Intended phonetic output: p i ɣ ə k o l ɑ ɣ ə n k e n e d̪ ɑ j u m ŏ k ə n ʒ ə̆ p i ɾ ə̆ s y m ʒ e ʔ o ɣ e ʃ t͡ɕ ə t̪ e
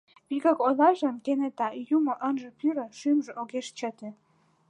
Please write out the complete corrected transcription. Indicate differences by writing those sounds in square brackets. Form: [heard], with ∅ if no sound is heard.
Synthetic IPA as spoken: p i ɣ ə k o l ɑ [ʒ] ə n k e n e [t̪] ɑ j u m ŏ [ʔ] ə n ʒ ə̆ p [y] ɾ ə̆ [ʃ] y m ʒ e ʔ o ɣ e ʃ t͡ɕ ə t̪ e